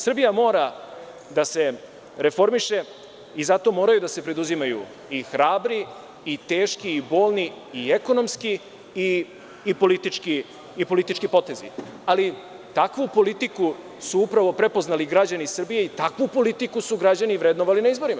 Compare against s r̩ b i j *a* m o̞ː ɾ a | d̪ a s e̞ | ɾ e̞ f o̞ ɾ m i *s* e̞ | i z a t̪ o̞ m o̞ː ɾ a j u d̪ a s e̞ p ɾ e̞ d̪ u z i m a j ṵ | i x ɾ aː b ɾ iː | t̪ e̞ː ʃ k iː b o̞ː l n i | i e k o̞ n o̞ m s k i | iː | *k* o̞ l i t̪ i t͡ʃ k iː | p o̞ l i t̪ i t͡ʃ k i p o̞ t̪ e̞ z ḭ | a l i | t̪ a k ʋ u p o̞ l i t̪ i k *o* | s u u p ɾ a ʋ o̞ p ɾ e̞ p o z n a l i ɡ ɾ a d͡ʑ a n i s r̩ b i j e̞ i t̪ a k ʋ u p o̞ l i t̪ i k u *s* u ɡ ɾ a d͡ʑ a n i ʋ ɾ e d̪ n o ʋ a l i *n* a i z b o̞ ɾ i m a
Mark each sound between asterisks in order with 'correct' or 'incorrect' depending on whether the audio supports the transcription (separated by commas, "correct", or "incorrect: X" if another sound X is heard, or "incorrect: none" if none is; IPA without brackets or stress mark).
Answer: correct, incorrect: ʃ, incorrect: p, incorrect: u, correct, correct